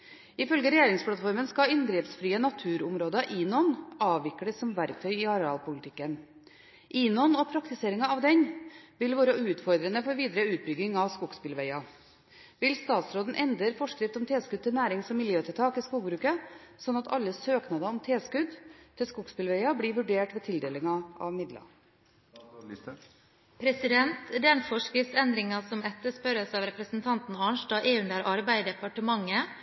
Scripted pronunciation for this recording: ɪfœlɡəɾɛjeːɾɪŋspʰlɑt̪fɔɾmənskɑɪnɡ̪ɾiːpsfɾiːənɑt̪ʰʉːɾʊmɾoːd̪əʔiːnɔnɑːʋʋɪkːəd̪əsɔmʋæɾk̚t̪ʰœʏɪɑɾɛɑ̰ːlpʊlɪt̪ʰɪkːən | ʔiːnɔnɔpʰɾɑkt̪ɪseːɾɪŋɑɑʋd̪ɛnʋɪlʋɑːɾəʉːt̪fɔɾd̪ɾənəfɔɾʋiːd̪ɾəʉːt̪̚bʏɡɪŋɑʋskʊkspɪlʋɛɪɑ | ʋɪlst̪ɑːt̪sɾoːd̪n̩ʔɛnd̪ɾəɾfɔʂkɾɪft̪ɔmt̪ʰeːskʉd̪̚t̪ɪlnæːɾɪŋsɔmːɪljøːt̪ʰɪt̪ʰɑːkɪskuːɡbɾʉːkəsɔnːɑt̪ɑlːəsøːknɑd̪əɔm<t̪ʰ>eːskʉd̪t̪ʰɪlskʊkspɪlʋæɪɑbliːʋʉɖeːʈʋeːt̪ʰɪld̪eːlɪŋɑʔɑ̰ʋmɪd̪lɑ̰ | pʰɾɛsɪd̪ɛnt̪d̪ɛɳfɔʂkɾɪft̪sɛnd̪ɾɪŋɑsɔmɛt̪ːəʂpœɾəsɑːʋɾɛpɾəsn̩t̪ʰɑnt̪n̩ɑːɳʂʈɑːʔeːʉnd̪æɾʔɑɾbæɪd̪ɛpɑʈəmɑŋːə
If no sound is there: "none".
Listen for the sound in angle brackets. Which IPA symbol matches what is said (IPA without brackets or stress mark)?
t̪ʰ